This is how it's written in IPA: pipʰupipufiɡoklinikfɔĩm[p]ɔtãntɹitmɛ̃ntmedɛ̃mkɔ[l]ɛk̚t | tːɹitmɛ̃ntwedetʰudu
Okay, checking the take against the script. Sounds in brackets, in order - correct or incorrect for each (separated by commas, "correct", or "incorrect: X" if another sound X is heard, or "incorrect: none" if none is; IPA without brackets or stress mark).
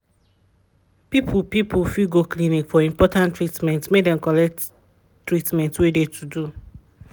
correct, correct